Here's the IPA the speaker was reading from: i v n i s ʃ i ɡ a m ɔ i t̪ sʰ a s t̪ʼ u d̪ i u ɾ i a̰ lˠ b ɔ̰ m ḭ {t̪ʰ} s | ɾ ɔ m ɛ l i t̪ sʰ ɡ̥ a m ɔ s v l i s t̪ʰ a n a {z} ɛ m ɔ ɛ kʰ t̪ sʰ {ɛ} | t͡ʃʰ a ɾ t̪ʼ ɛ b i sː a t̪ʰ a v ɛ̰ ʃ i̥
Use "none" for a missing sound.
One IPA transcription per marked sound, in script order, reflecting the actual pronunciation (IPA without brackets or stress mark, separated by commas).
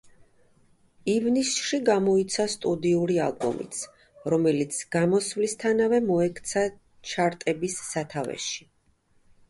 t̪, v, a